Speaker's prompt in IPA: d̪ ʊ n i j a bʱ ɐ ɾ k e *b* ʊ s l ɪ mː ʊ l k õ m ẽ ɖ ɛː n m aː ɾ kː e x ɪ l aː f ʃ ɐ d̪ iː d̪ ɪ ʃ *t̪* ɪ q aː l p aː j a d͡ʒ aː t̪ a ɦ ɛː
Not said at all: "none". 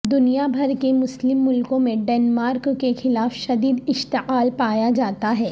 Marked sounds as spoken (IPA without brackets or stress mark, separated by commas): m, t̪